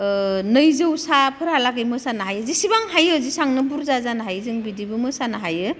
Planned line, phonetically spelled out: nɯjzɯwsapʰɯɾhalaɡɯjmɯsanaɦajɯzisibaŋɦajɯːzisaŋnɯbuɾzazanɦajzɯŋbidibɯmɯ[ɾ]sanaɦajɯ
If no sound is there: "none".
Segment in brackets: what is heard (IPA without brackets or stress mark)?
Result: none